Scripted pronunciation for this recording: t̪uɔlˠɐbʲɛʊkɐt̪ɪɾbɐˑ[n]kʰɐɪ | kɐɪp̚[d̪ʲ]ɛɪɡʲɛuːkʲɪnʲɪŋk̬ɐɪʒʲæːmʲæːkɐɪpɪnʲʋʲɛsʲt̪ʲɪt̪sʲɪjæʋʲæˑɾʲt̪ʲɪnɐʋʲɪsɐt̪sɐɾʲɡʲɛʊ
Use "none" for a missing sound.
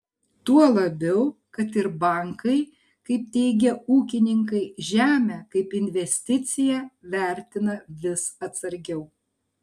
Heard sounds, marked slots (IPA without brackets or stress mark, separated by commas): ŋ, t̪ʲ